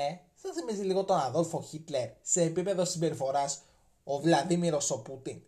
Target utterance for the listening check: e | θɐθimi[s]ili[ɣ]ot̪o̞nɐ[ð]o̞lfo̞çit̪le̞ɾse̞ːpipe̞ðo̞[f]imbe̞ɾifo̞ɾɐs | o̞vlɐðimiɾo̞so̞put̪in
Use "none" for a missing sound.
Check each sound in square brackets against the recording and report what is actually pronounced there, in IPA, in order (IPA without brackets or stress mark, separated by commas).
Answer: z, ɣ, ð, s